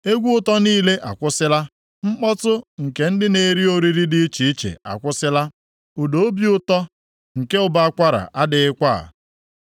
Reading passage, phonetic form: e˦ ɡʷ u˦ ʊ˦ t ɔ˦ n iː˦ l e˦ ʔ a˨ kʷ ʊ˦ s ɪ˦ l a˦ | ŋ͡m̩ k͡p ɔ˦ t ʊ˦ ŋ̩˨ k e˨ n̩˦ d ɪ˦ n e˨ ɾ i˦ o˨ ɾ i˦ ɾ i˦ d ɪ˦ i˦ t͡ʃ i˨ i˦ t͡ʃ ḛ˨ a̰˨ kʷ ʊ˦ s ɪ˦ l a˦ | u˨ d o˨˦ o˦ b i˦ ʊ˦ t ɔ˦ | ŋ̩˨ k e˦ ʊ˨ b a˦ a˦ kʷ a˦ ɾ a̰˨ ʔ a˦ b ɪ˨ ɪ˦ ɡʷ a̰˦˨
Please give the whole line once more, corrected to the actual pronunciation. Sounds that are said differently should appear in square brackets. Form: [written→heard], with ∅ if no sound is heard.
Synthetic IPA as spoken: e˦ ɡʷ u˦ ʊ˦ t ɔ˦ n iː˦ l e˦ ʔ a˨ kʷ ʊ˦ s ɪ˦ l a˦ | ŋ͡m̩ k͡p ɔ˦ t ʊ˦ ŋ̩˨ k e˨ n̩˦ d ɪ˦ n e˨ ɾ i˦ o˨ ɾ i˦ ɾ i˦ d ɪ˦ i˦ t͡ʃ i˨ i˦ t͡ʃ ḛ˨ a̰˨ kʷ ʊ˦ s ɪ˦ l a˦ | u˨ d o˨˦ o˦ b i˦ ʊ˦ t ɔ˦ | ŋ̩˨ k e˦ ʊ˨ b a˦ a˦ kʷ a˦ ɾ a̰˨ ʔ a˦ [b→d] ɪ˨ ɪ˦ [ɡʷ→kʷ] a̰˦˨

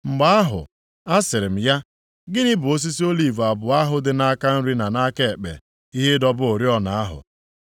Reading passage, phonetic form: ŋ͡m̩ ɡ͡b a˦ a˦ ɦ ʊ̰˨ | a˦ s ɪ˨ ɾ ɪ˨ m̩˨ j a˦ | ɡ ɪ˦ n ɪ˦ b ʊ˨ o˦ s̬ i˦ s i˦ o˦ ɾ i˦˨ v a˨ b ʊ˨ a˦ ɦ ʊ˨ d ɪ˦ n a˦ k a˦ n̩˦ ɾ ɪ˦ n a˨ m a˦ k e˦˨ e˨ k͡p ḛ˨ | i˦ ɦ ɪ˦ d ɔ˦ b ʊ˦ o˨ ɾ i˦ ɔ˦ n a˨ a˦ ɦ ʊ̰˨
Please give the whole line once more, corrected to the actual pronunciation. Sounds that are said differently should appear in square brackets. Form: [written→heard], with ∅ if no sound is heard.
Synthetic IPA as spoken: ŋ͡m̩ ɡ͡b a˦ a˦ ɦ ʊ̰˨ | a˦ s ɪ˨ ɾ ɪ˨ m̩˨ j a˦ | ɡ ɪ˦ n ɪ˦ b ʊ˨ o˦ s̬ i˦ s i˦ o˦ [ɾ→l] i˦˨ v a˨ b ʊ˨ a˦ ɦ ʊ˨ d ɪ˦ n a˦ k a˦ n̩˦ ɾ [ɪ˦→i˦] n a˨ [m→n] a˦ k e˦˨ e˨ k͡p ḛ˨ | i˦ ɦ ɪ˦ d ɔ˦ b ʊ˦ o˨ ɾ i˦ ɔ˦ n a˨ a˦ ɦ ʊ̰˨

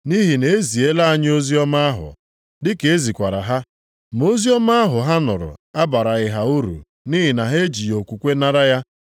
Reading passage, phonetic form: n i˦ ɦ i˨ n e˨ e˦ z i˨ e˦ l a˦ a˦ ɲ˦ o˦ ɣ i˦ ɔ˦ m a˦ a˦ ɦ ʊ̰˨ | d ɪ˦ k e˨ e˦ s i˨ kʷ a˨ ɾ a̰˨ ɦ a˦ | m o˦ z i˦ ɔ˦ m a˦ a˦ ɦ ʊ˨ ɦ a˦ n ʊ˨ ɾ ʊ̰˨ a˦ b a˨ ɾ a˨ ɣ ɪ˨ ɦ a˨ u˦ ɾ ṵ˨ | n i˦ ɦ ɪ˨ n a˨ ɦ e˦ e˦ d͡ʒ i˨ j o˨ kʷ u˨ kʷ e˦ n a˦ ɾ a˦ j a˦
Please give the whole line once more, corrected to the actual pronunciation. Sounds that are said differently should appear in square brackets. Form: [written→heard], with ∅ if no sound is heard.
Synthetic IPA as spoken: n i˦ ɦ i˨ n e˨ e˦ z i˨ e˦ l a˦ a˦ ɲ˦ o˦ [ɣ→z] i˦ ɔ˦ m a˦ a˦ ɦ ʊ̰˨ | d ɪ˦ k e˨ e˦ [s→z] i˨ kʷ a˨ ɾ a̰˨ ɦ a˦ | m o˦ z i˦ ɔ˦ m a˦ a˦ ɦ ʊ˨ ɦ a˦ n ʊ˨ ɾ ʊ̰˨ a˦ b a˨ ɾ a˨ ɣ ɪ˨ ɦ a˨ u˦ ɾ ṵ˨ | n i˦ ɦ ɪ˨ n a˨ ɦ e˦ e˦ d͡ʒ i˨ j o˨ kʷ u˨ kʷ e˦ n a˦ ɾ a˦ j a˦

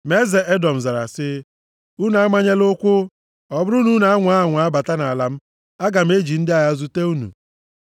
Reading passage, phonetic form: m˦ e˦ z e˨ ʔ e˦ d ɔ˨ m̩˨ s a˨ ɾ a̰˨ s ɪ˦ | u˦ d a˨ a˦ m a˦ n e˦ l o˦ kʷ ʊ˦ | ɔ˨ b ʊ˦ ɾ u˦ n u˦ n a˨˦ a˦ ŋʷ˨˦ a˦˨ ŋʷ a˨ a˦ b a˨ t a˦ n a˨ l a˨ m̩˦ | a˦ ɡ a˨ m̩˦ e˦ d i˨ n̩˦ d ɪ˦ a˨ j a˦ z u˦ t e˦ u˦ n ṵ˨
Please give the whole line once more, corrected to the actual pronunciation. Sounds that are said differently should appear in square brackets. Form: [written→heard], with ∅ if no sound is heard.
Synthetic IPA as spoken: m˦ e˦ z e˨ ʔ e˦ d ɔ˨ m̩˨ [s→z] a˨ ɾ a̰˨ s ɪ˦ | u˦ [d→n] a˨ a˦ m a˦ [n→ɲ] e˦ l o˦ kʷ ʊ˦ | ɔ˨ b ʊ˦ ɾ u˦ n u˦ n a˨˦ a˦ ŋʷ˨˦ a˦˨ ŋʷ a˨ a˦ b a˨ t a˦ n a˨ l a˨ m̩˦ | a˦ ɡ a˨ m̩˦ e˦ [d→d͡ʒ] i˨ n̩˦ d ɪ˦ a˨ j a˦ z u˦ t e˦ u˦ n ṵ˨

